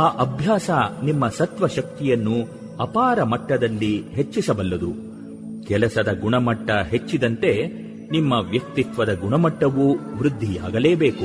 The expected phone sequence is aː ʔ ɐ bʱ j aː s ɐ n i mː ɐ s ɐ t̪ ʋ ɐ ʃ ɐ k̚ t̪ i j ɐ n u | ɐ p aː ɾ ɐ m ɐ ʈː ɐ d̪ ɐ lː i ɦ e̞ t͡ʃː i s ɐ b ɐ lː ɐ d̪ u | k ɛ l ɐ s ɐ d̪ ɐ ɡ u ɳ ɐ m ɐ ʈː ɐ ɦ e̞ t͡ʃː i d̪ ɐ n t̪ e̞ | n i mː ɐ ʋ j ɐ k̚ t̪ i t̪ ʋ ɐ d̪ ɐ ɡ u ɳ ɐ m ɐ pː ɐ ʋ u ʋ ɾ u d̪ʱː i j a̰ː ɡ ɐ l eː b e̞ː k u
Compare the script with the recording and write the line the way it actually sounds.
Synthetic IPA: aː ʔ ɐ bʱ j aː s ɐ n i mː ɐ s ɐ t̪ ʋ ɐ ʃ ɐ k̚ t̪ i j ɐ nː u | ɐ p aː ɾ ɐ m ɐ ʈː ɐ d̪ ɐ lː i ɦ e̞ t͡ʃː i s ɐ b ɐ lː ɐ d̪ u | k ɛ l ɐ s ɐ d̪ ɐ ɡ u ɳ ɐ m ɐ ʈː ɐ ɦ e̞ t͡ʃː i d̪ ɐ n t̪ e̞ | n i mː ɐ ʋ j ɐ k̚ t̪ i t̪ ʋ ɐ d̪ ɐ ɡ u ɳ ɐ m ɐ ʈː ɐ ʋ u ʋ ɾ u d̪ʱː i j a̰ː ɡ ɐ l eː b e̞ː k u